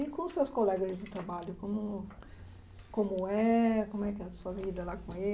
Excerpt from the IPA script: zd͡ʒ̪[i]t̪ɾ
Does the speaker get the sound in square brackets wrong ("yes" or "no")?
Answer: yes